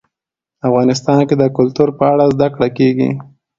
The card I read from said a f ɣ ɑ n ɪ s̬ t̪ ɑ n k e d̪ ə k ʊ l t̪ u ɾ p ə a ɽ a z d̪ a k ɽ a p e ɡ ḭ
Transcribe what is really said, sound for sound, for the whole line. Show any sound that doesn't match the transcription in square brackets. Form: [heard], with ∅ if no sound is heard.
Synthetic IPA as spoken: a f ɣ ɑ n ɪ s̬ t̪ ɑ n k e d̪ ə k ʊ l t̪ u ɾ p ə a ɽ a z d̪ a k ɽ a [k] e ɡ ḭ